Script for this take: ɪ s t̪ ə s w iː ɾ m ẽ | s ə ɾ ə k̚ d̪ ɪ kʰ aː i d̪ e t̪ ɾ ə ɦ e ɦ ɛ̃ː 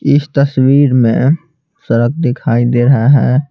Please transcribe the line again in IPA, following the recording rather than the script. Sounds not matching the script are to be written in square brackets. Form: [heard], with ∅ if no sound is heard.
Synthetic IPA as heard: ɪ s t̪ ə s w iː ɾ m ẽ | s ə ɾ ə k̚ d̪ ɪ kʰ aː i d̪ e [∅] ɾ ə ɦ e ɦ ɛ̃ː